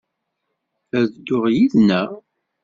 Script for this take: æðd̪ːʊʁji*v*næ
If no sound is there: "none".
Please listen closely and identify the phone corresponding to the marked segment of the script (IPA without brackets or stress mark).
ð